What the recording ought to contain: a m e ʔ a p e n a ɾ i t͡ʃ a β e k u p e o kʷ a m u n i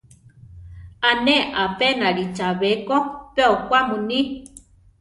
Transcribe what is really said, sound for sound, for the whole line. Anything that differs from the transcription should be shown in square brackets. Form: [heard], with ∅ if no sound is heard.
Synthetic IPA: a [n] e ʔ a p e n a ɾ i t͡ʃ a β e k [o] p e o kʷ a m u n i